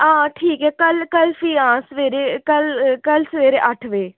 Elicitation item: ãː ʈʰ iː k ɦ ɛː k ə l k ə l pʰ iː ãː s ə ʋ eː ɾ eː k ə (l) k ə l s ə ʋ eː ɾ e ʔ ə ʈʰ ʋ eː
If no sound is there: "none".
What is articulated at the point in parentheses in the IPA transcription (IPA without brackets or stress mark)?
l